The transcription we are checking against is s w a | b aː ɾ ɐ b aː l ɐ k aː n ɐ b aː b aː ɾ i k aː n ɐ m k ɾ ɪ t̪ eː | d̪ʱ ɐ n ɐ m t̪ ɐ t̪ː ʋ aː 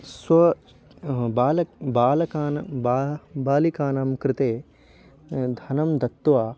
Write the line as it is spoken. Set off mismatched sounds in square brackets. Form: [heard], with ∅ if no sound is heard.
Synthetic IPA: s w [ɐ] | b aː [l] ɐ b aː l ɐ k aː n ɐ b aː b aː [l] i k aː n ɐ m k ɾ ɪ t̪ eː | d̪ʱ ɐ n ɐ m [d̪] ɐ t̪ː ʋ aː